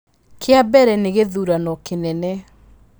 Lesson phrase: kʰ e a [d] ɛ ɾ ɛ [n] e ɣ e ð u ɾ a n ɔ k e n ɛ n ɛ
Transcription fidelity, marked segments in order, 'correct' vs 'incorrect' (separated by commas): incorrect, correct